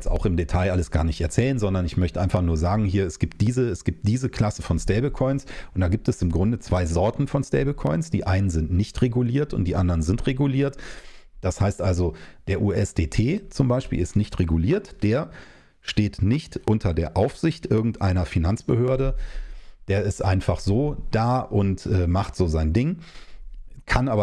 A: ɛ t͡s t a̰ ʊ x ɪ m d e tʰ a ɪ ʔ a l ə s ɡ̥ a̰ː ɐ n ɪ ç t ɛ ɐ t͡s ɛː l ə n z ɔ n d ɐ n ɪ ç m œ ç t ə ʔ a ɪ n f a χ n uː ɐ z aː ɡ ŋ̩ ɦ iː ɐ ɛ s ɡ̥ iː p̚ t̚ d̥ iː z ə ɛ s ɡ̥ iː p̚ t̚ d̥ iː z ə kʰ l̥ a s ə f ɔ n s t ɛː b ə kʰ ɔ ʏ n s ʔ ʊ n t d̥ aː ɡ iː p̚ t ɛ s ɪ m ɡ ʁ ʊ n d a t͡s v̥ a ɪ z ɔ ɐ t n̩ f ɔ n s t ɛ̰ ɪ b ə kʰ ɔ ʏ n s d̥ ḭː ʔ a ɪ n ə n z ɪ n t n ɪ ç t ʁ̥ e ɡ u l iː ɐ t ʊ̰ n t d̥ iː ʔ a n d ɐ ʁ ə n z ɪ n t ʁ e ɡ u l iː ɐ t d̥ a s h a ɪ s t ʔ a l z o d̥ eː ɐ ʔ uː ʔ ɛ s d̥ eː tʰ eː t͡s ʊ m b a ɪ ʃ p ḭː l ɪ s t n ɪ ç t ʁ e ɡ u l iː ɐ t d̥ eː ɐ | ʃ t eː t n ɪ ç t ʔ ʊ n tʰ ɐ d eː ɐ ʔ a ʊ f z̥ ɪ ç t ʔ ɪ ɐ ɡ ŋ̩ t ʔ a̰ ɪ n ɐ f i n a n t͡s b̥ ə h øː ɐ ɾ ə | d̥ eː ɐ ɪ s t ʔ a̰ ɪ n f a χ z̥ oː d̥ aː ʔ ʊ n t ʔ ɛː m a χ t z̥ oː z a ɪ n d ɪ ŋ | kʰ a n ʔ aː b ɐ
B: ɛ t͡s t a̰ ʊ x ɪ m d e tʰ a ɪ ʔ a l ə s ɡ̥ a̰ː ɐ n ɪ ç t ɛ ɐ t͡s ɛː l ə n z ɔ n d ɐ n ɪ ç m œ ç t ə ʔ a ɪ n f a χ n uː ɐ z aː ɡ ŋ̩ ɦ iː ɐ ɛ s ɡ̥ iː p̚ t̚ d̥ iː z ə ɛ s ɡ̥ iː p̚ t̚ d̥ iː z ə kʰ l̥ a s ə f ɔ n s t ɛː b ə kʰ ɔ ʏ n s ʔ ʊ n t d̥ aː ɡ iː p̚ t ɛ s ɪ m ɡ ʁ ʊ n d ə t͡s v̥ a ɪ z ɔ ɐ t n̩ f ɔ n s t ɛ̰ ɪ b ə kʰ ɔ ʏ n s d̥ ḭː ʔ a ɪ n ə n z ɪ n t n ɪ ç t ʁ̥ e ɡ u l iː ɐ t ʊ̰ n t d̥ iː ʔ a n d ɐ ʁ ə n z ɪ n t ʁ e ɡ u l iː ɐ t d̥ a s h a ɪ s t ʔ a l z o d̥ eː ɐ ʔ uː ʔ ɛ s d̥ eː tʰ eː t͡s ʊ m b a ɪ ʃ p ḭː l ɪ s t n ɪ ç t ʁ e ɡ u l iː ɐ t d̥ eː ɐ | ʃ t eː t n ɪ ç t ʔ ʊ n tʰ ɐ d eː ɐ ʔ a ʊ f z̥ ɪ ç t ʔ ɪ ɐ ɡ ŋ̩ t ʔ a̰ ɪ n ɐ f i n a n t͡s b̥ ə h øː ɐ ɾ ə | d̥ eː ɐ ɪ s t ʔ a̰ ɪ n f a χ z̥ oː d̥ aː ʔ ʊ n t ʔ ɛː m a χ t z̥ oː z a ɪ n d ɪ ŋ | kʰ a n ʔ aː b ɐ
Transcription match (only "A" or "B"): B